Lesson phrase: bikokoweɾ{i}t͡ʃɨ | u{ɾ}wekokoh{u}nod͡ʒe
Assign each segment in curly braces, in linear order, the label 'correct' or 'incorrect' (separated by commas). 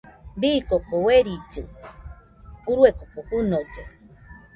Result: correct, correct, correct